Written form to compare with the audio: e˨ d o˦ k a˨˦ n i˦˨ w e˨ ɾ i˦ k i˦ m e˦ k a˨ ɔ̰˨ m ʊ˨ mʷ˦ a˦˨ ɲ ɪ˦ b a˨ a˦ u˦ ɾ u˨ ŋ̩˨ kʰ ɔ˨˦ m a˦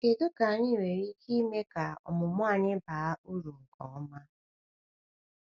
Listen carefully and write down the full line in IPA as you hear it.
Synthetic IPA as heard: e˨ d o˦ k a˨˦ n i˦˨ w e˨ ɾ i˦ k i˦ m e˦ k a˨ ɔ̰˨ m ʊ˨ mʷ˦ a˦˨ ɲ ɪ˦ b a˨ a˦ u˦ ɾ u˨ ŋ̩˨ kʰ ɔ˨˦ m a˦